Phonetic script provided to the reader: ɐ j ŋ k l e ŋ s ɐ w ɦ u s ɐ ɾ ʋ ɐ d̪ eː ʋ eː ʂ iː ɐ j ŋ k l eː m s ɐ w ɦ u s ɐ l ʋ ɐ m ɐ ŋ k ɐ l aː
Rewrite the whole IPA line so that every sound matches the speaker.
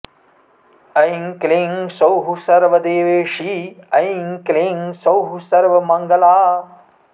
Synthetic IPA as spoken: ɐ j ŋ k l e ŋ s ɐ w ɦ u s ɐ ɾ ʋ ɐ d̪ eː ʋ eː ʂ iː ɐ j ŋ k l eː ŋ s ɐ w ɦ u s ɐ ɾ ʋ ɐ m ɐ ŋ ɡ ɐ l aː